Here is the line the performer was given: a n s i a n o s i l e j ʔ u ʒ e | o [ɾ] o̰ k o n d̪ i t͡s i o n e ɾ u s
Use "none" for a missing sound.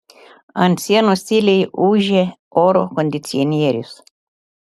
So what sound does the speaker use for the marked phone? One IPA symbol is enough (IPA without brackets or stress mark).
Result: ɾ